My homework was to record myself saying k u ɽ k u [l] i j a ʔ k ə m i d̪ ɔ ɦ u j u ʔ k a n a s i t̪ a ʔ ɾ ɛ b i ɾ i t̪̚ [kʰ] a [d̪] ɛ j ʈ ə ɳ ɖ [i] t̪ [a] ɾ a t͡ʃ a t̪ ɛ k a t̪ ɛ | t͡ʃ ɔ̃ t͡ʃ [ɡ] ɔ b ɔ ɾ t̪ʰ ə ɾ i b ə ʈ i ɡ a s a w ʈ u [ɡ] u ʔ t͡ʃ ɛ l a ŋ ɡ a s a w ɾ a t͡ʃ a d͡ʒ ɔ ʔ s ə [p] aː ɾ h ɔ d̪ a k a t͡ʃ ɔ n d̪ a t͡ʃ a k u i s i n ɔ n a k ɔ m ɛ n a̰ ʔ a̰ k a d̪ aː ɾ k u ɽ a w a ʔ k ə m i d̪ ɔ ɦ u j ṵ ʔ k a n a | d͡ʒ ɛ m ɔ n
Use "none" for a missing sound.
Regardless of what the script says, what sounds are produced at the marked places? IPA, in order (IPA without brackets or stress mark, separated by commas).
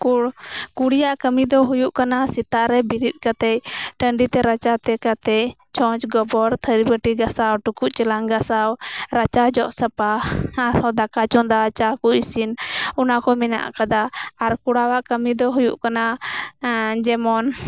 ɽ, k, t̪, i, ɛ, ɡ, k, p